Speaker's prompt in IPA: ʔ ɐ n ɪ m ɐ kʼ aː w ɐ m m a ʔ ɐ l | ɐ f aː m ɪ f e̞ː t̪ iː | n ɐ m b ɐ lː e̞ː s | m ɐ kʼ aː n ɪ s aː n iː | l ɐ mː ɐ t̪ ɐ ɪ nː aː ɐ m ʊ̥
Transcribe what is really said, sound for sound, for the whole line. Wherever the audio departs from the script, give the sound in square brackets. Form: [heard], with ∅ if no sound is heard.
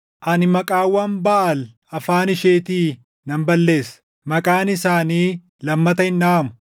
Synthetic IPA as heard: ʔ ɐ n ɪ m ɐ kʼ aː w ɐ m [b] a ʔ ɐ l | ɐ f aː [n] ɪ [ʃ] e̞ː t̪ iː | n ɐ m b ɐ lː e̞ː s | m ɐ kʼ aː n ɪ s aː n iː | l ɐ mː ɐ t̪ ɐ ɪ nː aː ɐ m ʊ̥